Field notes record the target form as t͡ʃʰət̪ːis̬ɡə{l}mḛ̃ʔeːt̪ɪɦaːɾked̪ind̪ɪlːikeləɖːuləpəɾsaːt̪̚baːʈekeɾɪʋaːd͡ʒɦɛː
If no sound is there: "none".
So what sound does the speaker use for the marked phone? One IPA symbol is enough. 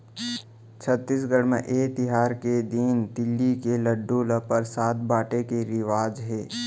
ɽ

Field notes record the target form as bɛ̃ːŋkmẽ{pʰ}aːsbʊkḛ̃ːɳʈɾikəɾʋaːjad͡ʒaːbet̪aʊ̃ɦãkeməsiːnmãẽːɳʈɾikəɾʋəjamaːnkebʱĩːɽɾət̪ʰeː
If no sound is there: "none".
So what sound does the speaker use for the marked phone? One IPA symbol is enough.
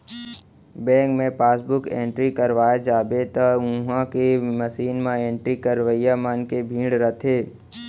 p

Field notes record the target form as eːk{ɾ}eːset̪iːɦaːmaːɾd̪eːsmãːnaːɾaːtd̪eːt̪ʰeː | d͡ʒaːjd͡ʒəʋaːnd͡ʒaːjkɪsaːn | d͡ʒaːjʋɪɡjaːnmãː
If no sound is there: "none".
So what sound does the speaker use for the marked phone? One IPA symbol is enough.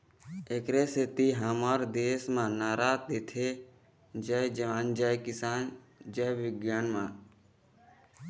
ɾ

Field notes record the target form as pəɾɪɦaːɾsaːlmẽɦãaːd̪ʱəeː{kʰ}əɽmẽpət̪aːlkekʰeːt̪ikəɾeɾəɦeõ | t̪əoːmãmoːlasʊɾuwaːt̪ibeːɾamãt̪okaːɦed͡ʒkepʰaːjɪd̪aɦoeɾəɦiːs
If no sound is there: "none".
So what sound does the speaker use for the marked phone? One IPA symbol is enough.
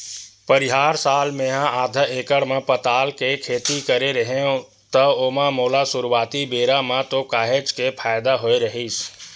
k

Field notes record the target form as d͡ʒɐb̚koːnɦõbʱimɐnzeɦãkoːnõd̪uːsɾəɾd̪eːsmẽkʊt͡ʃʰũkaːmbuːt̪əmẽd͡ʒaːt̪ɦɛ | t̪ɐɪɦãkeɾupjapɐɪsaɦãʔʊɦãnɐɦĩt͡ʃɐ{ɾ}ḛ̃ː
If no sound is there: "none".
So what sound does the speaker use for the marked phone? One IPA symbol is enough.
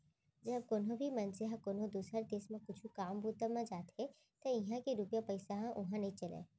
l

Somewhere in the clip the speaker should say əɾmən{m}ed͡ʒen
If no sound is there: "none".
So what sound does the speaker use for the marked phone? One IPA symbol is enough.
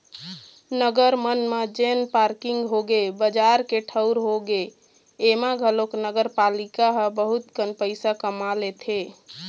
m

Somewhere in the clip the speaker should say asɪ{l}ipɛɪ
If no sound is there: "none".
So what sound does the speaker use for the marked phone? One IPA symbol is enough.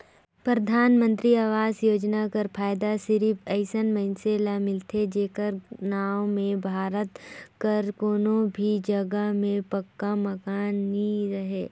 ɾ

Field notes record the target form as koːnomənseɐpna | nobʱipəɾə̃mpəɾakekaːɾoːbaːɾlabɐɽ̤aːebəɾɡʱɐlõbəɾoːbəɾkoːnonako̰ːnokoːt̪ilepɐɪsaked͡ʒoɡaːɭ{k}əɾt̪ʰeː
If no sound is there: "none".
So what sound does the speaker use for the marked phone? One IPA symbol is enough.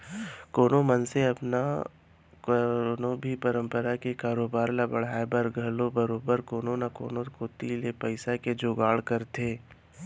k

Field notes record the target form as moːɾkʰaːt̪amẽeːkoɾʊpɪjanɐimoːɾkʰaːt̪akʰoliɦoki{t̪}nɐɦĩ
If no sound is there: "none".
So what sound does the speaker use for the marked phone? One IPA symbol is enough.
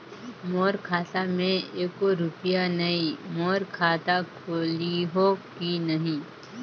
none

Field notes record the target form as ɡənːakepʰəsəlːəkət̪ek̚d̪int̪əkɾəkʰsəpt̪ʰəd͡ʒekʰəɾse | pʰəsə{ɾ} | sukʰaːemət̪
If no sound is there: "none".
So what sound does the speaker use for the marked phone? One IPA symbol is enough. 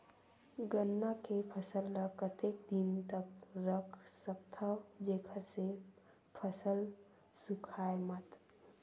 l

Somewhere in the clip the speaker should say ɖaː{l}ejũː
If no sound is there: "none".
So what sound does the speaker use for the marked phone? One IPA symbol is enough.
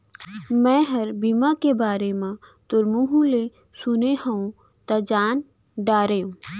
ɾ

